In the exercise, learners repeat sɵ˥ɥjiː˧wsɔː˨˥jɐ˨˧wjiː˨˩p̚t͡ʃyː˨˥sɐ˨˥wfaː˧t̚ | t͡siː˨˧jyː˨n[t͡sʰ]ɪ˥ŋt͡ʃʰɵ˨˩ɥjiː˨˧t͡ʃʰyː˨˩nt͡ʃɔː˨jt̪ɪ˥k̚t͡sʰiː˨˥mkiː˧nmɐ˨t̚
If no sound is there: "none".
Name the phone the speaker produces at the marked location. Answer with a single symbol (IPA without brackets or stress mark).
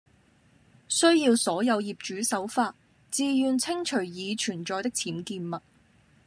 t͡sʰ